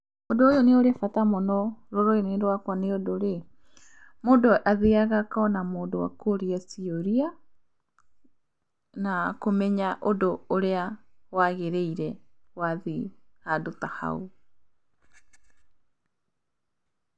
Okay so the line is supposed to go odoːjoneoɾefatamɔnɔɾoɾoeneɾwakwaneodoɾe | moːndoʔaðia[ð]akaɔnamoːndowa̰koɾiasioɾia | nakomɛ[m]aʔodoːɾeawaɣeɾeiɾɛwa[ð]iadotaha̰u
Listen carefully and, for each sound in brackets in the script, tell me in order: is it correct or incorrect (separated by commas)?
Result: incorrect, incorrect, correct